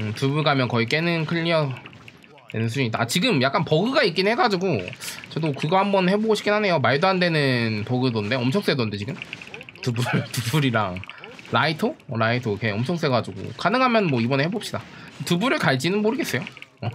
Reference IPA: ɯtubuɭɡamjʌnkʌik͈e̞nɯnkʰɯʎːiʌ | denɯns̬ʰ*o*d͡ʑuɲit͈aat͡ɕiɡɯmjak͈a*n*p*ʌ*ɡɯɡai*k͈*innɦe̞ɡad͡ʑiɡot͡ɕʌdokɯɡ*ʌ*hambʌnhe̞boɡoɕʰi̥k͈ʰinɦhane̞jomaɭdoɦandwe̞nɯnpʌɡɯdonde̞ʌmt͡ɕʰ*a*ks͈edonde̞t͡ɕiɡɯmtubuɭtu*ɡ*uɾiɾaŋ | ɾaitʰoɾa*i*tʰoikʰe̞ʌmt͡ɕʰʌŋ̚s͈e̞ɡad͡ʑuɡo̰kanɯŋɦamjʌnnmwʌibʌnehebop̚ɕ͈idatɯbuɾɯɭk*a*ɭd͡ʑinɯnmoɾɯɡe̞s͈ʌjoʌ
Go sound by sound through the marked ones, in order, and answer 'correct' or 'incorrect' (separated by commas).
incorrect, correct, correct, correct, correct, incorrect, incorrect, correct, correct